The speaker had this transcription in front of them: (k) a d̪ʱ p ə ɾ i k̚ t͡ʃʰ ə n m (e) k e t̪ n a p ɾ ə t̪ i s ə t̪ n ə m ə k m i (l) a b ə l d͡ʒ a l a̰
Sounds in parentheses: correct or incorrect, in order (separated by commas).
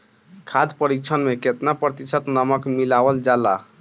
incorrect, correct, correct